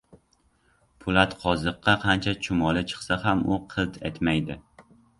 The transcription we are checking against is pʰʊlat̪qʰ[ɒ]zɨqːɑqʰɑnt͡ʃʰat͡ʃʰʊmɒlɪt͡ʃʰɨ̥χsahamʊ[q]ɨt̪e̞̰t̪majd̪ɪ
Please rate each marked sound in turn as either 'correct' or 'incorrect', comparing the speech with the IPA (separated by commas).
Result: correct, incorrect